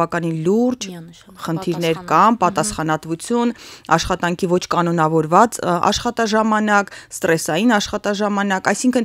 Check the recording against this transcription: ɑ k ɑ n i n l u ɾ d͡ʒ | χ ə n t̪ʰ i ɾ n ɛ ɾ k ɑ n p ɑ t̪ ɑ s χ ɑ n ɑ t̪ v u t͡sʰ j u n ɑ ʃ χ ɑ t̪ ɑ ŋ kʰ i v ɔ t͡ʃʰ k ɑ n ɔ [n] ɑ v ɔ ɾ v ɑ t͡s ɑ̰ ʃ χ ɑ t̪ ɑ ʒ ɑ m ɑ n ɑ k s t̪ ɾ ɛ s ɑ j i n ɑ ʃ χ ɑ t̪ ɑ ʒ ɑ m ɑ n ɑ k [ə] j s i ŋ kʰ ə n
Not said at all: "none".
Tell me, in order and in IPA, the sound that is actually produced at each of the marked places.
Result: n, ɑ

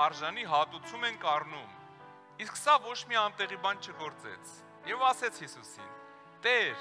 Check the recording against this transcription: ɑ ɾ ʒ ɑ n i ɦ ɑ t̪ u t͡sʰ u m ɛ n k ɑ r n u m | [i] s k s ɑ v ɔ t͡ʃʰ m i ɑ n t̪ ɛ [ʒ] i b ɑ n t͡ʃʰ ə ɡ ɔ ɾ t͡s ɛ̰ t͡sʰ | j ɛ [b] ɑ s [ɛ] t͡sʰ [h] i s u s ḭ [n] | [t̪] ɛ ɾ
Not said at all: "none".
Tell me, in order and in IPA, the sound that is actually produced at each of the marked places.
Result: i, ʁ, v, ɛ, h, n, t̪

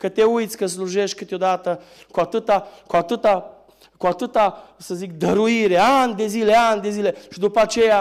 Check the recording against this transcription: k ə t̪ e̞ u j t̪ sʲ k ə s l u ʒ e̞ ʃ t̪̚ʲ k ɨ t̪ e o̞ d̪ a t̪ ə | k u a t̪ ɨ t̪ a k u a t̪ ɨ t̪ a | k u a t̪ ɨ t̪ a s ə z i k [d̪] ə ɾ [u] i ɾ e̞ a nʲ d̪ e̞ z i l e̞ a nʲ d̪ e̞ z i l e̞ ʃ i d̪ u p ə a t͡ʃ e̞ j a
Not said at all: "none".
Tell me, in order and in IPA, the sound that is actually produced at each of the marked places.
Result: d̪, u

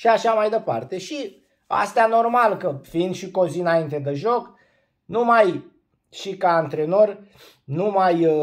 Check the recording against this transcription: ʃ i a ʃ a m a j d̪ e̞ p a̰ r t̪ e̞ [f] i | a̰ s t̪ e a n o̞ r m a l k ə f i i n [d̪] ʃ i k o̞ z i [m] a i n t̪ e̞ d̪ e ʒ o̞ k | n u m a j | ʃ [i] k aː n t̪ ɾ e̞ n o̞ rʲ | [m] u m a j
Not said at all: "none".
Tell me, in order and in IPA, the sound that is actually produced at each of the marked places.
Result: ʃ, d̪, n, i, n

